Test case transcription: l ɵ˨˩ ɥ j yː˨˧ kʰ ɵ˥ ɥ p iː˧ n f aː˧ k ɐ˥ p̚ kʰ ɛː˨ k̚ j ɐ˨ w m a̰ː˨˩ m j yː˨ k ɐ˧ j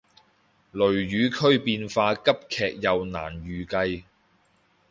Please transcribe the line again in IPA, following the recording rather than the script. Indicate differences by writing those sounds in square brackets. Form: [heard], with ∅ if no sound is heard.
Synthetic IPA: l ɵ˨˩ ɥ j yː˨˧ kʰ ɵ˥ ɥ p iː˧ n f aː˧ k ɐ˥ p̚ kʰ ɛː˨ k̚ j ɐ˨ w [n] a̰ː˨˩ [n] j yː˨ k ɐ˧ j